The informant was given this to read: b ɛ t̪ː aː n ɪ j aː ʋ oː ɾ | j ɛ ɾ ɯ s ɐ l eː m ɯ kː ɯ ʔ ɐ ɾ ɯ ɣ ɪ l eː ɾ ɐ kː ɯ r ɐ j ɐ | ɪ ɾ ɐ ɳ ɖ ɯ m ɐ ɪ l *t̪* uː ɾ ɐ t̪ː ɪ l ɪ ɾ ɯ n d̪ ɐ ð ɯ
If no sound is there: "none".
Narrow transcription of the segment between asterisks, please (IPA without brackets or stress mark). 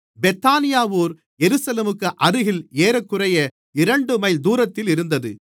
d̪